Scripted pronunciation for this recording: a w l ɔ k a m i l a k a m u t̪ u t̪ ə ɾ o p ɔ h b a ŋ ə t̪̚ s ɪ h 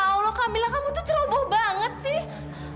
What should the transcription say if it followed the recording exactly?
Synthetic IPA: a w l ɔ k a m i l a k a m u t̪ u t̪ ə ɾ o b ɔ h b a ŋ ə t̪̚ s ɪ h